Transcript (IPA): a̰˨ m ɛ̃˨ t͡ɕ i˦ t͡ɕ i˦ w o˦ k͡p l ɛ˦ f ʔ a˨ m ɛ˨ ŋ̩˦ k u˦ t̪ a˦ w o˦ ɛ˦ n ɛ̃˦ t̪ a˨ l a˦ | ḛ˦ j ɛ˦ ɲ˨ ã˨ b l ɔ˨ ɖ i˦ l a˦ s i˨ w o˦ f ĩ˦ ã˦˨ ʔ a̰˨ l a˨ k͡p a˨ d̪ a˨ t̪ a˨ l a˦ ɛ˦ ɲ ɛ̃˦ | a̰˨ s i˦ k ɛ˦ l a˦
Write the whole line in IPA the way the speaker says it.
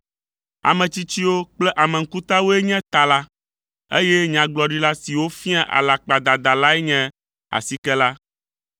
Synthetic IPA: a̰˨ m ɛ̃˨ t͡ɕ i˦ t͡ɕ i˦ w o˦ k͡p l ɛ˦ ʔ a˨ m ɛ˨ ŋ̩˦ k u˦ t̪ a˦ w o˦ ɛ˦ ɲ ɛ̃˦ t̪ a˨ l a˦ | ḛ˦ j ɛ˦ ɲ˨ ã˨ ɡ͡b l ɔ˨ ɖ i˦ l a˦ s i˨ w o˦ f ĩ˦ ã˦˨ ʔ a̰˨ l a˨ k͡p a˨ d̪ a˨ d̪ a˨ l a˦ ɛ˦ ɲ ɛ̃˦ | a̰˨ s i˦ k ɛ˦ l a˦